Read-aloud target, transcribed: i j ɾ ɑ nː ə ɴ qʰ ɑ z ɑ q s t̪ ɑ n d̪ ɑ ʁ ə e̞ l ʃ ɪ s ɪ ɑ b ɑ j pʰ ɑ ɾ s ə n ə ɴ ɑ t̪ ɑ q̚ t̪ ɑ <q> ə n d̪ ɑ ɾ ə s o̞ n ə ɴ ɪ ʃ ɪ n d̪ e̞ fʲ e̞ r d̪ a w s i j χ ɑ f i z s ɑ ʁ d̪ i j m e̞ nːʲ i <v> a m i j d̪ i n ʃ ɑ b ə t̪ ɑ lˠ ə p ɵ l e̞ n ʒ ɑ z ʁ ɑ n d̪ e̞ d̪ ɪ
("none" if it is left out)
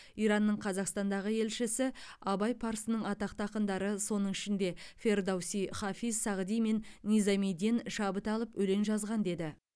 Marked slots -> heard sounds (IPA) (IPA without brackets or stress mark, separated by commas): q, z